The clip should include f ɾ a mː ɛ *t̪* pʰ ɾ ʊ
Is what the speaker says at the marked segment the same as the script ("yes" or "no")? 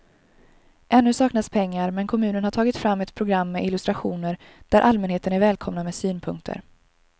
yes